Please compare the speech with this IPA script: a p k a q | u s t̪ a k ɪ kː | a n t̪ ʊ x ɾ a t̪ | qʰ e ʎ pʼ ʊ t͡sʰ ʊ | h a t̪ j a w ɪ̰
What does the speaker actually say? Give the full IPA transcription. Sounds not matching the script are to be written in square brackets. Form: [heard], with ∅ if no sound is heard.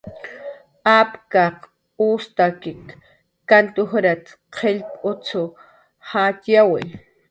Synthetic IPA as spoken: a p k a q | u s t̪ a k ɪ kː | a n t̪ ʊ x ɾ a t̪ | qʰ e ʎ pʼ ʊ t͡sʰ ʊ | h a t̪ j a w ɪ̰